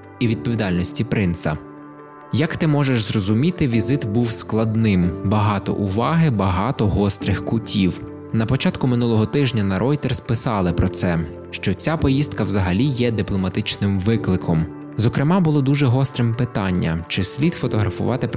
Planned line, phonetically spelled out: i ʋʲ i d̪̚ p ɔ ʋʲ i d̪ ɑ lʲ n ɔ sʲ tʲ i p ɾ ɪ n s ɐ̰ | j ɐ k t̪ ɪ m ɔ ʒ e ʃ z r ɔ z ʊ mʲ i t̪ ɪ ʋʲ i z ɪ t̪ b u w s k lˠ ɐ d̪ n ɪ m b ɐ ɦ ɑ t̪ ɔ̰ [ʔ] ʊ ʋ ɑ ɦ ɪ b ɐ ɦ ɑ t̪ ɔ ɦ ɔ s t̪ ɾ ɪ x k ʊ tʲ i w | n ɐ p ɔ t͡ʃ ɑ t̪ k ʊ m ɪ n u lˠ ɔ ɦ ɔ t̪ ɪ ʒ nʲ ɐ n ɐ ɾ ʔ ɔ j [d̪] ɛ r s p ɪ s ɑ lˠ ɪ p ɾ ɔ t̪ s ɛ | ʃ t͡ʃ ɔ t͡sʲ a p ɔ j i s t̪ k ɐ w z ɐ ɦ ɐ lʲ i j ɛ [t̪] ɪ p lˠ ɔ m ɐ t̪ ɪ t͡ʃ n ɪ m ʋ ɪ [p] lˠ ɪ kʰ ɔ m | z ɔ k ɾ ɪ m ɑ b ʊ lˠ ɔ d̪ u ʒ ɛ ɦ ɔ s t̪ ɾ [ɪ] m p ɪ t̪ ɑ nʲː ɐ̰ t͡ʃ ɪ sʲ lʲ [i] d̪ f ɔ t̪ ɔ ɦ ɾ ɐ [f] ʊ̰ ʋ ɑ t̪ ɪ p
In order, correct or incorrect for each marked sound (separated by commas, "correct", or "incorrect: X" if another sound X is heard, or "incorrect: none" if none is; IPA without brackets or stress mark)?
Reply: correct, incorrect: t̪, incorrect: d̪, incorrect: k, correct, correct, correct